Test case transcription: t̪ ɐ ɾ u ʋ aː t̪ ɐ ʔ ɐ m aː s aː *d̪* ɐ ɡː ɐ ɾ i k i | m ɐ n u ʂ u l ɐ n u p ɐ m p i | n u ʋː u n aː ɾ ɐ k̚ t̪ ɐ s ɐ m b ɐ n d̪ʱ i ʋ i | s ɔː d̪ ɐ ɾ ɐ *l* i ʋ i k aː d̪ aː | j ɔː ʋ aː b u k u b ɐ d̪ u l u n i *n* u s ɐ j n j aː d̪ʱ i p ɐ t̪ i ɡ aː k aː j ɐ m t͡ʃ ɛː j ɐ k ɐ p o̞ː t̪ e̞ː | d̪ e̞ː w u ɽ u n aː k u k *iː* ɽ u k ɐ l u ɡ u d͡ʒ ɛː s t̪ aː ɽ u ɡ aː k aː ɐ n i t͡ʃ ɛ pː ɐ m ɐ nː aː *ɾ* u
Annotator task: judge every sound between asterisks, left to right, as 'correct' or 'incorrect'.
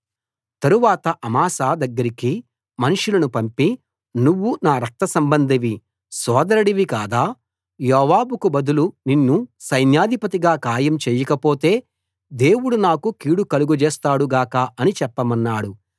correct, incorrect, incorrect, correct, incorrect

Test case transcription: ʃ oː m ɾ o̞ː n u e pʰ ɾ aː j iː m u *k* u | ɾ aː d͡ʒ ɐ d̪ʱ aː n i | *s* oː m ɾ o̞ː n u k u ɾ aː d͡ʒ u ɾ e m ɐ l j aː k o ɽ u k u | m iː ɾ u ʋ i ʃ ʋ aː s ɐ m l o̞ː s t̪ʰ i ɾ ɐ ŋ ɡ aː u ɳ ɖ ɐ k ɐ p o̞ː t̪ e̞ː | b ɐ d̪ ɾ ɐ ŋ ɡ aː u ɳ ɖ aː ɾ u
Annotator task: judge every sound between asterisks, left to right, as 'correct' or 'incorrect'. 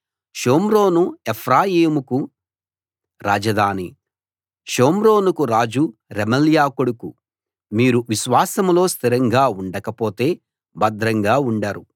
correct, incorrect

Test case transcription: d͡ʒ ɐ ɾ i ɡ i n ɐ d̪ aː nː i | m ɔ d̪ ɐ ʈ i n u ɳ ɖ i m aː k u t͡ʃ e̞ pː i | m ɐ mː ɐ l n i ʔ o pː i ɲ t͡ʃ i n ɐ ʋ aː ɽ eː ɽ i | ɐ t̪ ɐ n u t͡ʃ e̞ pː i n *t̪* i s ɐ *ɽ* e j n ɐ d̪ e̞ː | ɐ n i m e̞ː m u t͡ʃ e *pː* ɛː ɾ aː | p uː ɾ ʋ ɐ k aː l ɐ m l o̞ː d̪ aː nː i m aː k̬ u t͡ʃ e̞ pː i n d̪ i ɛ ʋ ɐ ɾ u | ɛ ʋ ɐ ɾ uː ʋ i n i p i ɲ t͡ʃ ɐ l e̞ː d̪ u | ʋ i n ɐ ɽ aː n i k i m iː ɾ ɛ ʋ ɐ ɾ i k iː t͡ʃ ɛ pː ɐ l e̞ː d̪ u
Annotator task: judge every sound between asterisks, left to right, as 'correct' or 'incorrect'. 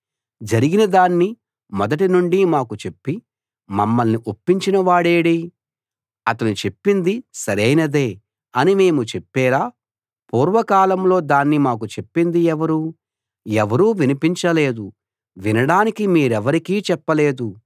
incorrect, incorrect, correct

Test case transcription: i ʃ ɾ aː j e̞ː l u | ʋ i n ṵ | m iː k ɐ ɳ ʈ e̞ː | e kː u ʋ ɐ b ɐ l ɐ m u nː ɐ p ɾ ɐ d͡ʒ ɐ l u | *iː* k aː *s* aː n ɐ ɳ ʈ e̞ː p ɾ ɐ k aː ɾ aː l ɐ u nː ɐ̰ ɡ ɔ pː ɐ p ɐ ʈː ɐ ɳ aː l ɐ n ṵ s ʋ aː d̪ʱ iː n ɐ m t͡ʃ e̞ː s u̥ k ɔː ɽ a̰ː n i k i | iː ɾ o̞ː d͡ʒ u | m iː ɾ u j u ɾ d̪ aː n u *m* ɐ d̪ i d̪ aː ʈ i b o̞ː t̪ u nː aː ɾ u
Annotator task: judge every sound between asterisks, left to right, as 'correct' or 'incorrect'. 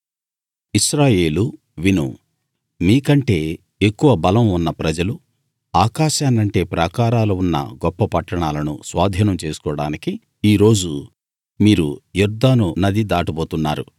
incorrect, incorrect, incorrect

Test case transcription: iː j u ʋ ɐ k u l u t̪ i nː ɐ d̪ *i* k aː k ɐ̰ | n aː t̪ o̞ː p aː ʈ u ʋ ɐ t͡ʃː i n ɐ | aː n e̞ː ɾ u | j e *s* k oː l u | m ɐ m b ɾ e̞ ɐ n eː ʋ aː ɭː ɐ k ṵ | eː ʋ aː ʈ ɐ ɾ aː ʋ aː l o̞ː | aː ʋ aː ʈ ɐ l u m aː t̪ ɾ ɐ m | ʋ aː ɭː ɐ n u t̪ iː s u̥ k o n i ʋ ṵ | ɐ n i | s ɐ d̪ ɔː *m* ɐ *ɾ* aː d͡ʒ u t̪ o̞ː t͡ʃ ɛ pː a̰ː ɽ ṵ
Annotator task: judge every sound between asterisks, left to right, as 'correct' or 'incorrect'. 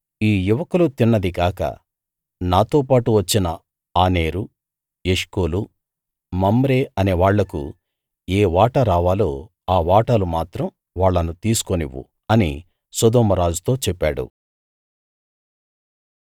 correct, incorrect, correct, correct

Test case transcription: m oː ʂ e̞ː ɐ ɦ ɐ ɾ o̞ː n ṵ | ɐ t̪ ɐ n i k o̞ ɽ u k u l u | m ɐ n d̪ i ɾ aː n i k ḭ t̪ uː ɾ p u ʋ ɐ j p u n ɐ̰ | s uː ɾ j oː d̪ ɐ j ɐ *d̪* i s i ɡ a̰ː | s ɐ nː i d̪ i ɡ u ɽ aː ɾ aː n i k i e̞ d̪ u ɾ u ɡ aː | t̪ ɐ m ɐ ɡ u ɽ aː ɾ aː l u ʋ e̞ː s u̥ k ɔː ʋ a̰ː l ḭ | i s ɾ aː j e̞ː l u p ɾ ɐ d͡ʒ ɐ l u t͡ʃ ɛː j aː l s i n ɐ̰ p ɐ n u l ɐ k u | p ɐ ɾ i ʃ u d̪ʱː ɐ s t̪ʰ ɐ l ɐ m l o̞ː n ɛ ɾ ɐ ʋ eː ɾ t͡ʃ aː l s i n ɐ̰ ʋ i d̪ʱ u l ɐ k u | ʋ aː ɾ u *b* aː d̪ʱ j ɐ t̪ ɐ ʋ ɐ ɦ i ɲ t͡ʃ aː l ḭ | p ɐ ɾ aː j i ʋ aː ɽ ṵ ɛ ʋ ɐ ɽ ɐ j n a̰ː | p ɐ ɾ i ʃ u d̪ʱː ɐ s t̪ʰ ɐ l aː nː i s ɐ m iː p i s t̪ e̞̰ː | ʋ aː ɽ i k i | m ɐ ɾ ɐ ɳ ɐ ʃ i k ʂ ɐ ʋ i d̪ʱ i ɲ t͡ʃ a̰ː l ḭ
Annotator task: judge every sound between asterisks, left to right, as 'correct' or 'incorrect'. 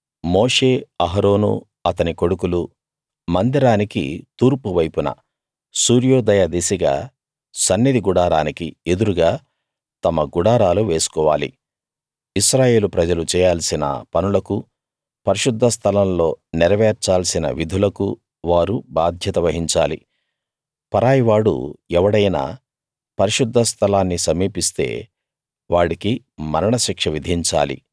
correct, correct

